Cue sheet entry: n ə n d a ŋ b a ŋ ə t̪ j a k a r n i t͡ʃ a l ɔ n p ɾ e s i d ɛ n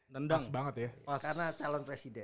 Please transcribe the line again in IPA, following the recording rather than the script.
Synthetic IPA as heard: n ə n d a ŋ b a ŋ ə t̪ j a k a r n a t͡ʃ a l ɔ n p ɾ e s i d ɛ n